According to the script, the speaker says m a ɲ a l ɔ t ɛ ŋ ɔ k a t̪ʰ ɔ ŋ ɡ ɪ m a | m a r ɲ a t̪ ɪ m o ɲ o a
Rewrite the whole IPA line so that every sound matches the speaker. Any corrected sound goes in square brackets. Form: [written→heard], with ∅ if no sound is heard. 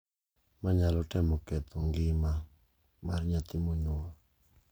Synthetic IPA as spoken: m a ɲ a l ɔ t ɛ [ŋ→m] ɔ k [a→ɛ] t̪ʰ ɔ ŋ ɡ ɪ m a | m a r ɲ a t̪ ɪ m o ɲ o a